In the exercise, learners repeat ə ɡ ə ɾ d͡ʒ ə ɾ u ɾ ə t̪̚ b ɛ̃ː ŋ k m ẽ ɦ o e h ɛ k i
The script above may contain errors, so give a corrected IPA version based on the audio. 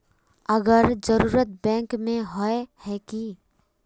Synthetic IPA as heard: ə ɡ ə ɾ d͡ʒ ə ɾ uː ɾ ə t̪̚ b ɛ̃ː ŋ k m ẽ ɦ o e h ɛ k i